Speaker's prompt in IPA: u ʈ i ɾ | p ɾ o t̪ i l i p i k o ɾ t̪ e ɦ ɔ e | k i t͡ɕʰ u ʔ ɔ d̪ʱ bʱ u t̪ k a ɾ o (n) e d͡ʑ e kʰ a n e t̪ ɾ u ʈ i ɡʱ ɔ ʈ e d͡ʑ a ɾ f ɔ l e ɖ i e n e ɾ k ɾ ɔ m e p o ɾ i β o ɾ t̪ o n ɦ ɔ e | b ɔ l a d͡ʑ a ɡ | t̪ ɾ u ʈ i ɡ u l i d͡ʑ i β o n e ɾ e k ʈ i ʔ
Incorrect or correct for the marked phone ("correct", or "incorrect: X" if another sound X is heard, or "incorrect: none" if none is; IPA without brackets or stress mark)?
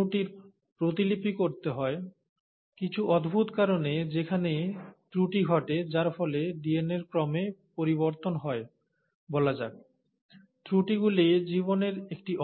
correct